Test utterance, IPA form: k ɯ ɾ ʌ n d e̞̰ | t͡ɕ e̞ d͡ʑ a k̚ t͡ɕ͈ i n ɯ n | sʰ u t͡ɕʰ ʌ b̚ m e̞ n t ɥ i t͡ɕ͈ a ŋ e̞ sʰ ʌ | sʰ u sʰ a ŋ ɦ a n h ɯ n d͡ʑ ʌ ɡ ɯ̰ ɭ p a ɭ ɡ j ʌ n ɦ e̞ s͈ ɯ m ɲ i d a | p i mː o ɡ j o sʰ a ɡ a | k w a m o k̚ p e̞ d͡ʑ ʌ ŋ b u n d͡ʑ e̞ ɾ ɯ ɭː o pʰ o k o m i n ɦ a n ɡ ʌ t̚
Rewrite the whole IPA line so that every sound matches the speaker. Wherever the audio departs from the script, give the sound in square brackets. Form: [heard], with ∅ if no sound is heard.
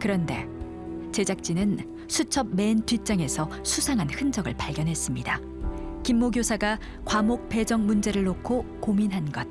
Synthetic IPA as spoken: k ɯ ɾ ʌ n d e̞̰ | t͡ɕ e̞ d͡ʑ a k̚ t͡ɕ͈ i n ɯ n | sʰ u t͡ɕʰ ʌ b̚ m e̞ n t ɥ i t͡ɕ͈ a ŋ e̞ sʰ ʌ | sʰ u sʰ a ŋ ɦ a n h ɯ n d͡ʑ ʌ ɡ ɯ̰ ɭ p a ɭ ɡ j ʌ n ɦ e̞ s͈ ɯ m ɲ i d a | [k] i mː o ɡ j o sʰ a ɡ a | k w a m o k̚ p e̞ d͡ʑ ʌ ŋ [m] u n d͡ʑ e̞ ɾ ɯ ɭː o [kʰ] o k o m i n ɦ a n ɡ ʌ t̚